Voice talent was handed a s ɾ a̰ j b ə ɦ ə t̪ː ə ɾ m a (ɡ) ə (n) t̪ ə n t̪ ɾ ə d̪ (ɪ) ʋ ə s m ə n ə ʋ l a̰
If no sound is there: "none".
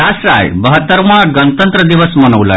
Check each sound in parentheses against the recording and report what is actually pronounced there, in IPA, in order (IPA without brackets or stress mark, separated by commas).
ɡ, n, i